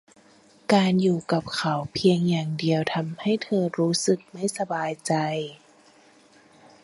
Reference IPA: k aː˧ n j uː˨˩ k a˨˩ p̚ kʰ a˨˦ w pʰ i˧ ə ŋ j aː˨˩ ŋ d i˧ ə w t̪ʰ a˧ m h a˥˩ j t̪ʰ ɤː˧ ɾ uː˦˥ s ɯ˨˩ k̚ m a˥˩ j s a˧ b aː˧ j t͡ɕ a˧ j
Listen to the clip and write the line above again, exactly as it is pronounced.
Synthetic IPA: k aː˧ n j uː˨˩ k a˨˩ p̚ kʰ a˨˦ w pʰ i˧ ə ŋ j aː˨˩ ŋ d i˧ ə w t̪ʰ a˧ m h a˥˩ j t̪ʰ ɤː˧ ɾ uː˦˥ s ɯ˨˩ k̚ m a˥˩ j s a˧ b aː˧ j t͡ɕ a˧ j